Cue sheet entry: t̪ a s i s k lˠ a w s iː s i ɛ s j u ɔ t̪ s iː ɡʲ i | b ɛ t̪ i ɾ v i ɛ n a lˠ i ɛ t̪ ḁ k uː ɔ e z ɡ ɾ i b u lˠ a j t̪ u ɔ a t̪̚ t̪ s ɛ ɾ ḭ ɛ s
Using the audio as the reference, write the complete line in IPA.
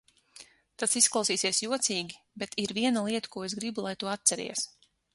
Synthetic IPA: t̪ a s i s k lˠ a w s iː s i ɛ s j u ɔ t̪ s iː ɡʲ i | b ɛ t̪ i ɾ v i ɛ n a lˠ i ɛ t̪ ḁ k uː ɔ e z ɡ ɾ i b u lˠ a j t̪ u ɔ a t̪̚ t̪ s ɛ ɾ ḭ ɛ s